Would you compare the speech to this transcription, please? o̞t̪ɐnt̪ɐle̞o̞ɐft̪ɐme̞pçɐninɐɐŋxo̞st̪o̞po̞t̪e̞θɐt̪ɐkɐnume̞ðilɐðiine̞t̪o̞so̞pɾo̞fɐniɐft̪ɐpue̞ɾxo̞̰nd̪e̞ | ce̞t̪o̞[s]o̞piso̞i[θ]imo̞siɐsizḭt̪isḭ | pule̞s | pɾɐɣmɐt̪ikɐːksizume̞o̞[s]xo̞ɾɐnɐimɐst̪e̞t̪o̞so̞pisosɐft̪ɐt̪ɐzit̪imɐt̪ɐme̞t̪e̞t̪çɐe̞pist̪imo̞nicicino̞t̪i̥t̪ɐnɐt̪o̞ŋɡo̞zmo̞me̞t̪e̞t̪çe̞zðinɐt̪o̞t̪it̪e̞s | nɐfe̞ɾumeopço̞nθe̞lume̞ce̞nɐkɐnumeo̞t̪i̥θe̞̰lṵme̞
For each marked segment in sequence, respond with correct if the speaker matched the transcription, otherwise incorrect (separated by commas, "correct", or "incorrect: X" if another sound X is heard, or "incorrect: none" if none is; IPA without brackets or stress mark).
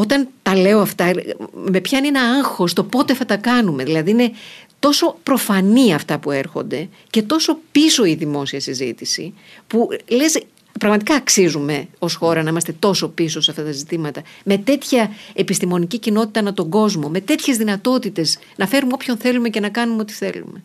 correct, incorrect: ð, correct